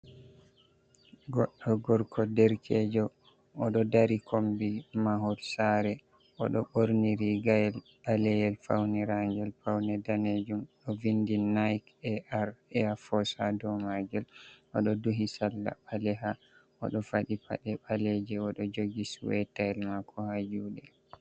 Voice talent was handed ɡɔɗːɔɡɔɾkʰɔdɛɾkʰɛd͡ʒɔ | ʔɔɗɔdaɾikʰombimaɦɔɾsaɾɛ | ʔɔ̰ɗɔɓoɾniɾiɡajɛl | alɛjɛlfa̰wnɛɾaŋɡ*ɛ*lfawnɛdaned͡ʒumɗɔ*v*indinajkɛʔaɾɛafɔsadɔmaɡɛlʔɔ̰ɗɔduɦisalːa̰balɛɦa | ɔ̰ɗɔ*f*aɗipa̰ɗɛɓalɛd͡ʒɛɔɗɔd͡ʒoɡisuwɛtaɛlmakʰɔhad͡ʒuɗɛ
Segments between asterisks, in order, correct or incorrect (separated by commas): correct, correct, correct